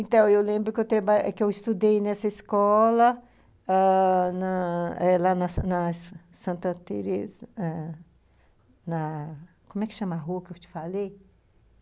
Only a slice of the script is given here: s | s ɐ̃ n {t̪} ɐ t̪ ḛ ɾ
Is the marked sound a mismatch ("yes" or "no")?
no